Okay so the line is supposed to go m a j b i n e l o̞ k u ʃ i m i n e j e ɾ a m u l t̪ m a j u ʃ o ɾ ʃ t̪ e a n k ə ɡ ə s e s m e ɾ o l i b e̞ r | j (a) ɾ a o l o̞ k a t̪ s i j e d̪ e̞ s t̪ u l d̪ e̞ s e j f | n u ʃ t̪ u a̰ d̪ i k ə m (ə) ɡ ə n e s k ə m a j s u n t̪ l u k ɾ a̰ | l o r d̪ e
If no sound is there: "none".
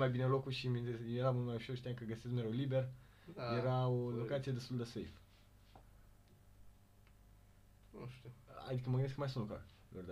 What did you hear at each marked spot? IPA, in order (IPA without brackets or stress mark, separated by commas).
e, ə